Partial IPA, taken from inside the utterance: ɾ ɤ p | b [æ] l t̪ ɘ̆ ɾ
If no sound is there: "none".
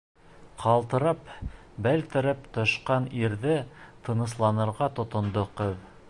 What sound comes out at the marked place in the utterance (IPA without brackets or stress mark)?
æ